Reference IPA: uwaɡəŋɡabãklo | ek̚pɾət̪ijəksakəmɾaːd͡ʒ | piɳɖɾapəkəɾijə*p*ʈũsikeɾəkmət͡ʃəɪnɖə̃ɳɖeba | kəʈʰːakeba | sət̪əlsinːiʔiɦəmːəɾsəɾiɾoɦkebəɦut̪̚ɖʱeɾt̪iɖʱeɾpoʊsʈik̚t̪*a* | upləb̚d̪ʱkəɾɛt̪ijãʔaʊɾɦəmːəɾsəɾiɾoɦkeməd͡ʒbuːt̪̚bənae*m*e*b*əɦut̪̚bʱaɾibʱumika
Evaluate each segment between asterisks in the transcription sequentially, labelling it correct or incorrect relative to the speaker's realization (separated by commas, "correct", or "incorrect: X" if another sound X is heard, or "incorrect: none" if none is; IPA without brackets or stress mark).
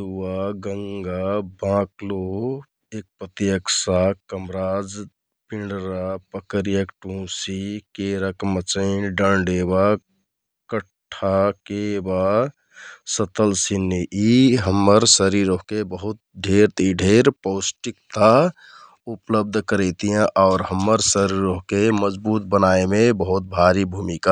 incorrect: k, correct, correct, correct